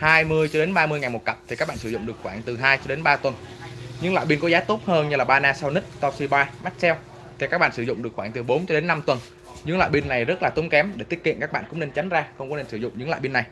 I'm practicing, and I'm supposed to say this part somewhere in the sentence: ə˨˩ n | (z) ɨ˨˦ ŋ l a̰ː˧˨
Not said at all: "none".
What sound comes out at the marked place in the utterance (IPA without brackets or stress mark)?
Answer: z